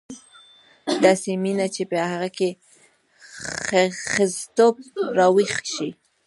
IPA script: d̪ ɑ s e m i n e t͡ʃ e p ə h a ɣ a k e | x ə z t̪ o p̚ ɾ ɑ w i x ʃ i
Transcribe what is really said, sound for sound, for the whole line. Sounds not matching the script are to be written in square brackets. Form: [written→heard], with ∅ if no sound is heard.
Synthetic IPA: d̪ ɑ s e m i n [e→a] t͡ʃ e p ə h a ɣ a k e | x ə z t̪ o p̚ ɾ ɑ w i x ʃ i